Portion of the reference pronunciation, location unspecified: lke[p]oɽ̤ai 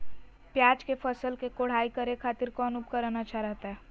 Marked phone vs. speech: incorrect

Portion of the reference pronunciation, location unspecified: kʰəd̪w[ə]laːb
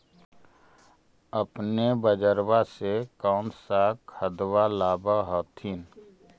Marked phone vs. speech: incorrect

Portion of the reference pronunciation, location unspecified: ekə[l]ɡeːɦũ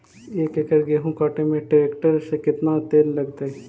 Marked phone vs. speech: incorrect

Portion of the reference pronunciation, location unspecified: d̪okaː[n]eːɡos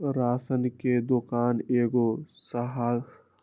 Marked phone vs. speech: correct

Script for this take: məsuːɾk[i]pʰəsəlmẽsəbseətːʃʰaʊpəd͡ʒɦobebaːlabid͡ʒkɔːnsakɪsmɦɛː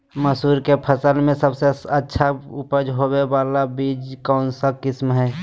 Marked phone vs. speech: incorrect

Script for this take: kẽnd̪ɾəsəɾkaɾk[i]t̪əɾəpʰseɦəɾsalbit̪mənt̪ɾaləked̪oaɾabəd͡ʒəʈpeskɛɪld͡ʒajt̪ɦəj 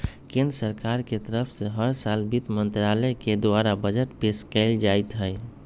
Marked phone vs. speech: incorrect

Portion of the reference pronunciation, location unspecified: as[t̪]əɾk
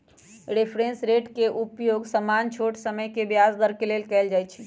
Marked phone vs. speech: incorrect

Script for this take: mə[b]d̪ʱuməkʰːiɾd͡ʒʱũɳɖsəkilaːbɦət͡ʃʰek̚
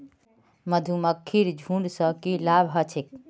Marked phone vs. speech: incorrect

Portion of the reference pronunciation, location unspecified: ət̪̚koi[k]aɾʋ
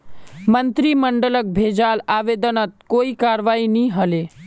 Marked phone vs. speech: correct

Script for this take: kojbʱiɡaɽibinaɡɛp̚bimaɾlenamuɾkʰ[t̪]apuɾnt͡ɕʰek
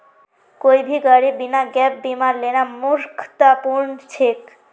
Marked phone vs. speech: correct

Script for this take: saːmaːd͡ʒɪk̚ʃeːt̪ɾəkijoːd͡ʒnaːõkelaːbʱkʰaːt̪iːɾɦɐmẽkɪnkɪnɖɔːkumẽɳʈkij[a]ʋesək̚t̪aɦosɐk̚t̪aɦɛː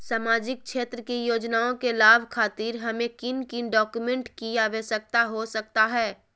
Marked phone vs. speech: correct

